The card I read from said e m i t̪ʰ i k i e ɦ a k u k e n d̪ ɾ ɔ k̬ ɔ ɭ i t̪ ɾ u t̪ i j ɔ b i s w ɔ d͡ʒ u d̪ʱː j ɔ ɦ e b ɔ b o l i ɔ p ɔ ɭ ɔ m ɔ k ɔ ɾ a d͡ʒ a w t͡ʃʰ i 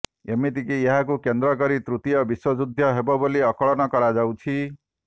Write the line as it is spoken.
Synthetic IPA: e m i t̪ i k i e ɦ a k u k e n d̪ ɾ ɔ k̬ ɔ ɾ i t̪ ɾ u t̪ i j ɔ b i s w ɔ d͡ʒ u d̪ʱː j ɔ ɦ e b ɔ b o l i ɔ k ɔ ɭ ɔ n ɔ k ɔ ɾ a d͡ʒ a w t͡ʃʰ i